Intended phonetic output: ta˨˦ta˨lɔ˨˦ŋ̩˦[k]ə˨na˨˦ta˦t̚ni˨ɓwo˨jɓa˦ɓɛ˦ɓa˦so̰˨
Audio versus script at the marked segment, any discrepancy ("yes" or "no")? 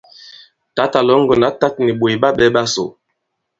yes